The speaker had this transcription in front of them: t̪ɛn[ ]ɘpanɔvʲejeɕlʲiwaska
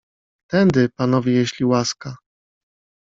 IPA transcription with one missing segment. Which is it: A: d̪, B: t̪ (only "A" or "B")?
A